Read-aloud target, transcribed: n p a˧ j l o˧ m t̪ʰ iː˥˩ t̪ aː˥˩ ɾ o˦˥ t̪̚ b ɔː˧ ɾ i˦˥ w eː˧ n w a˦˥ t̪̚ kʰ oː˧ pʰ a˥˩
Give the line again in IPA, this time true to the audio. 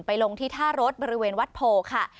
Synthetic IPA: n p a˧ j l o˧ ŋ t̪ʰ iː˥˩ t̪ʰ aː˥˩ ɾ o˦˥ t̪̚ b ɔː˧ ɾ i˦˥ w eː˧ n w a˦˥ t̪̚ pʰ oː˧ kʰ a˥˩